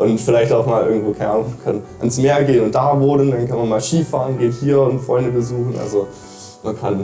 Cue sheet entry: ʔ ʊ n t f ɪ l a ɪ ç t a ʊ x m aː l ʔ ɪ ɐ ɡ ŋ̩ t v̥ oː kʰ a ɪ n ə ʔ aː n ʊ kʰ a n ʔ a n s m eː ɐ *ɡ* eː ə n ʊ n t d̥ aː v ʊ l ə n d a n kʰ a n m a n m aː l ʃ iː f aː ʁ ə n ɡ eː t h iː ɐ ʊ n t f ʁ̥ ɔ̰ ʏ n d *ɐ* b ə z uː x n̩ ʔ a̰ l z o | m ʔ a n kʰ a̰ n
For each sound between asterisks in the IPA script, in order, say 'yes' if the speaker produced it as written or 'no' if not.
yes, no

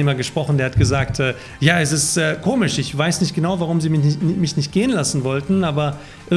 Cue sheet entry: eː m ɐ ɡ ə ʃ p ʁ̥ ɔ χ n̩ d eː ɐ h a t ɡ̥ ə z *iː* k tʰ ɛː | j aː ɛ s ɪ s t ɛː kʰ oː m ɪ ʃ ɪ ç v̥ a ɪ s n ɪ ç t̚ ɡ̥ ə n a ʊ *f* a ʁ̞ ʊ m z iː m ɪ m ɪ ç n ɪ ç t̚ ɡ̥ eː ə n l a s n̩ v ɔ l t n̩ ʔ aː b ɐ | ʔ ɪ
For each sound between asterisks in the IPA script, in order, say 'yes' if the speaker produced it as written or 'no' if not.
no, no

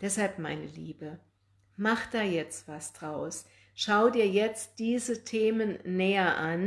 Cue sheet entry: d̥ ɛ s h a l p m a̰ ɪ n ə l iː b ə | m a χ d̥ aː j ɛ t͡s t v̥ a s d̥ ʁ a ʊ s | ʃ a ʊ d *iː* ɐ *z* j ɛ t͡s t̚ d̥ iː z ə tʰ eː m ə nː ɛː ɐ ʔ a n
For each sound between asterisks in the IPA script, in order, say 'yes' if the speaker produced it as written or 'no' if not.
yes, no

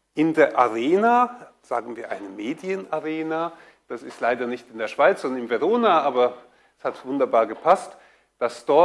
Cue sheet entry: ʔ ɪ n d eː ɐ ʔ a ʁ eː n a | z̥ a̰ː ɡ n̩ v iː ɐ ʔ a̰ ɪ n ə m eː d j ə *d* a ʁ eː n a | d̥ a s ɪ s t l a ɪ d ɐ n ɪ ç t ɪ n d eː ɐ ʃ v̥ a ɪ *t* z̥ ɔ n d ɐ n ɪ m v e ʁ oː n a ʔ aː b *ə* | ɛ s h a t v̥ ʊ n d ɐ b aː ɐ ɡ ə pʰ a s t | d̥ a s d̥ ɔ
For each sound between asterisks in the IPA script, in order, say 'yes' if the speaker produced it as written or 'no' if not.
no, no, no

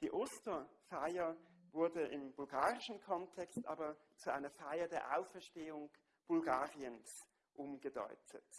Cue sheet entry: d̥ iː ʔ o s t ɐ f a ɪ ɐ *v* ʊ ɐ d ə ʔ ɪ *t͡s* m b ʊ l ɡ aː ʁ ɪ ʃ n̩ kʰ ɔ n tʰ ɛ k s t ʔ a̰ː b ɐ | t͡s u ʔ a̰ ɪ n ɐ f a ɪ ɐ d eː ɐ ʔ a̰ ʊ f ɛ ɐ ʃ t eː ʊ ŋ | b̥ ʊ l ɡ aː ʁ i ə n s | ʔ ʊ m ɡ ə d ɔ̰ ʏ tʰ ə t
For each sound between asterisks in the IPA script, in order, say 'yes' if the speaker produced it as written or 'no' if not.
yes, no

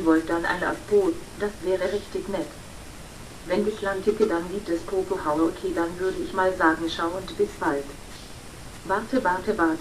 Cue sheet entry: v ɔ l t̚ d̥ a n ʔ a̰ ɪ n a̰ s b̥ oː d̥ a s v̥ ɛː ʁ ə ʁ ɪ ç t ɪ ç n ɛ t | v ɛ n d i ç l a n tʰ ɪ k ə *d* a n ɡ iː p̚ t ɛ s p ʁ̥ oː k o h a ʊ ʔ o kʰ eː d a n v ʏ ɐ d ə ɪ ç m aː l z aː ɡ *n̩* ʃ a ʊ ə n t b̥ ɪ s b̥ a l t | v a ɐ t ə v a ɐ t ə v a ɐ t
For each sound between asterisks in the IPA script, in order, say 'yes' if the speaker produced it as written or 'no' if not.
yes, no

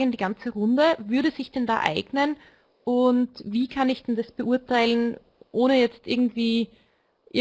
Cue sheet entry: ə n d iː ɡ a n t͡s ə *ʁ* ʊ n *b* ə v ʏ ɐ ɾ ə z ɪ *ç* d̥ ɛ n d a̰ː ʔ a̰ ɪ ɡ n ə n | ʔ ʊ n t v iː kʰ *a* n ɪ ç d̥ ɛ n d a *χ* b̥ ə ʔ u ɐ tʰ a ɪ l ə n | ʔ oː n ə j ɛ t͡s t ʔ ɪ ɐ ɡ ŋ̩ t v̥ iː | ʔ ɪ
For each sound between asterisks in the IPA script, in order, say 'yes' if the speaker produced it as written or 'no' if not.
yes, no, yes, yes, no

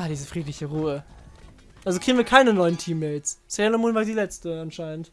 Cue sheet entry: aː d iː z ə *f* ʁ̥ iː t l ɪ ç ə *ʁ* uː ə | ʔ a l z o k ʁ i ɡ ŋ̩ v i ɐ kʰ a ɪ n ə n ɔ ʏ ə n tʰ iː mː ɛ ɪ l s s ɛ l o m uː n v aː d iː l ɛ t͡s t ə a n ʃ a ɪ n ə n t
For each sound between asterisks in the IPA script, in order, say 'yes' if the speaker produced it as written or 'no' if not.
yes, yes

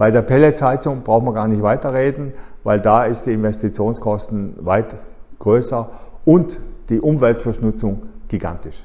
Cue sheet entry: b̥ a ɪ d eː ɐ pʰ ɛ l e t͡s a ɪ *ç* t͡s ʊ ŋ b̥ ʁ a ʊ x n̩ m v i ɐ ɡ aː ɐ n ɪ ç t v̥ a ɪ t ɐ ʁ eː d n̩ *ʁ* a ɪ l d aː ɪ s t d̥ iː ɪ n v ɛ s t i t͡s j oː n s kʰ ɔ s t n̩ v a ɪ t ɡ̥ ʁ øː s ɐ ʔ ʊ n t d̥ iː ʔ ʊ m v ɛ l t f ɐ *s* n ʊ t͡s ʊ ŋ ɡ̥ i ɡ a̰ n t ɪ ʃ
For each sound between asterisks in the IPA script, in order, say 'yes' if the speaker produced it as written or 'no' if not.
no, no, no

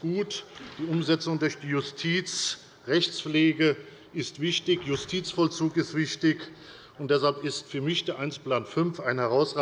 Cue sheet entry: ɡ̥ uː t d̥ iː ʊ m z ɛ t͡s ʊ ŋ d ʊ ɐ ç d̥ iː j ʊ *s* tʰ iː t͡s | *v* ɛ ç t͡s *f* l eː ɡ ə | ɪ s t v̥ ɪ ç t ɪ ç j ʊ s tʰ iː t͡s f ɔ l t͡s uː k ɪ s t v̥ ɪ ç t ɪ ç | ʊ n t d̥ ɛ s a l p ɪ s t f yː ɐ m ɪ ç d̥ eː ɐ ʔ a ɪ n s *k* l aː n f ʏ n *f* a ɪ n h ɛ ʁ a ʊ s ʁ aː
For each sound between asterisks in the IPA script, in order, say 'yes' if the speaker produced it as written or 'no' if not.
yes, no, yes, no, yes

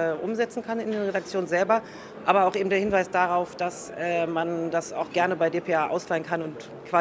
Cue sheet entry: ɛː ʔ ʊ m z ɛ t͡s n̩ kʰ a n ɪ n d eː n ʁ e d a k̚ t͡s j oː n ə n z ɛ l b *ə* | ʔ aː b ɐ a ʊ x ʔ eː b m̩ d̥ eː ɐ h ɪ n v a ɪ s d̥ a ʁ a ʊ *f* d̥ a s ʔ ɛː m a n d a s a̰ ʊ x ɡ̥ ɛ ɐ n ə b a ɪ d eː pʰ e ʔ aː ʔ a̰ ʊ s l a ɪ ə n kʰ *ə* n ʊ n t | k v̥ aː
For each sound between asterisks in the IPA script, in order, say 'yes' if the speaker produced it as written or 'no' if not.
no, yes, no

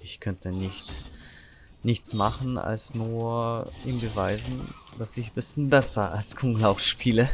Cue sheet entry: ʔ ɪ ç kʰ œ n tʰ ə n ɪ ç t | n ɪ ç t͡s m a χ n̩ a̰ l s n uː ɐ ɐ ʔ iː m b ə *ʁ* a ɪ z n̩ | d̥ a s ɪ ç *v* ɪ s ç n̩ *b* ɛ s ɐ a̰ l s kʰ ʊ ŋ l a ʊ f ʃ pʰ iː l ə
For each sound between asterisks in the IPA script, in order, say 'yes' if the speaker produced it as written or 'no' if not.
no, no, yes

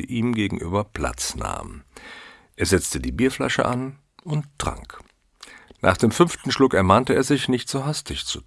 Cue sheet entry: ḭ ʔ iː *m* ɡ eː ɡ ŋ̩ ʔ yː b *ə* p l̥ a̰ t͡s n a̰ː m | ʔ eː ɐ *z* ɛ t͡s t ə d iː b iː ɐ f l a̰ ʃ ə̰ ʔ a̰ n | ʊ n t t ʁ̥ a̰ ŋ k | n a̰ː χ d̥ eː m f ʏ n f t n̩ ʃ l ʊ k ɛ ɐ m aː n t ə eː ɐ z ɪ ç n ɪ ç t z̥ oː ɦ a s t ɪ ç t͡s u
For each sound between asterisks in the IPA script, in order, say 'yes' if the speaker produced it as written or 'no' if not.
yes, no, yes

